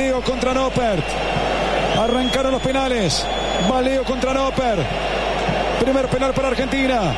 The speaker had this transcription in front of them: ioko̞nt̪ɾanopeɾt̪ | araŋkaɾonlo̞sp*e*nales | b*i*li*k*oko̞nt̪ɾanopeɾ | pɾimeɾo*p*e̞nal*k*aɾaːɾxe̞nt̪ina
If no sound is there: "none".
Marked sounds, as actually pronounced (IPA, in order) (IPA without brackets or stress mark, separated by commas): e, a, none, p, p